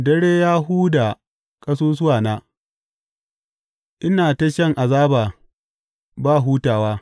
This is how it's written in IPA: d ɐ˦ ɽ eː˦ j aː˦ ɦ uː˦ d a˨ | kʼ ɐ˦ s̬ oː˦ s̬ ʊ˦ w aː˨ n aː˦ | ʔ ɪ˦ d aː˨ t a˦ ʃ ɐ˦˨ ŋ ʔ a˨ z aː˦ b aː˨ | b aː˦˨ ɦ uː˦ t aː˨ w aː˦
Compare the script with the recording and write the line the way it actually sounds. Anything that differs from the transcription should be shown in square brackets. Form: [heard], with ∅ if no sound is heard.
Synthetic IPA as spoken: d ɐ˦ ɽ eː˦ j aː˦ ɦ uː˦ d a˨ | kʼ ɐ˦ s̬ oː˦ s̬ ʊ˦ w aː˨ n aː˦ | ʔ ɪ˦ [n] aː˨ t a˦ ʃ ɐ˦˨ ŋ ʔ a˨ z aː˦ b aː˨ | b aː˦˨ ɦ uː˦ t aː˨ w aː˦